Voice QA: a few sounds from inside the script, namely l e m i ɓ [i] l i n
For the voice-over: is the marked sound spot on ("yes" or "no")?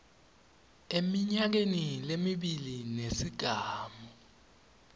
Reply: yes